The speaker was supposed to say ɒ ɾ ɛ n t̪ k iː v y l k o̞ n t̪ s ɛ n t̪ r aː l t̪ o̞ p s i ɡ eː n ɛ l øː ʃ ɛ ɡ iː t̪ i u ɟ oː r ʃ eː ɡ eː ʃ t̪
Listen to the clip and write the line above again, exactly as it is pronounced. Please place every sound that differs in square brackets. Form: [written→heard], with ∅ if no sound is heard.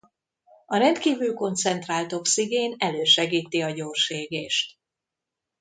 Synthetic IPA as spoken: ɒ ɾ ɛ n t̪ k iː v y l k o̞ n t̪ s ɛ n t̪ r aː l t̪ o̞ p s i ɡ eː n ɛ l øː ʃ ɛ ɡ iː t̪ i [u→ɒ] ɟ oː r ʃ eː ɡ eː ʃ t̪